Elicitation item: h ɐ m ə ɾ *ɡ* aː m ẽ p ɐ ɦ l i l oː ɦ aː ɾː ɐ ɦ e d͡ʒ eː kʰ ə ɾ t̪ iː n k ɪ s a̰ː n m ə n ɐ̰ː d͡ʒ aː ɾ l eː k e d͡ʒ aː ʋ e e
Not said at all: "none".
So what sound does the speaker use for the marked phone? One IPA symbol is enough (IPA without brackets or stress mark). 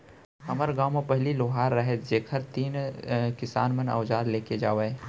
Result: ɡ